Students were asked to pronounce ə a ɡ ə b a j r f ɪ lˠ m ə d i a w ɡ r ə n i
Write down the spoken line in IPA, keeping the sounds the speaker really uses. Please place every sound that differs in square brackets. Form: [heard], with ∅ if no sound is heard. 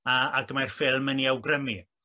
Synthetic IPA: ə a ɡ ə [m] a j r f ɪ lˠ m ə [n] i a w ɡ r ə [m] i